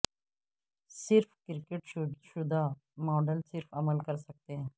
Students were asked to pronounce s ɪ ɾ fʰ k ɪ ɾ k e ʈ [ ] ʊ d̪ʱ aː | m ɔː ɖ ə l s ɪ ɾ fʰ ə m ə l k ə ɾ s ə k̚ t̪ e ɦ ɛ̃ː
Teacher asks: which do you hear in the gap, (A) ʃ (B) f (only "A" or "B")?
A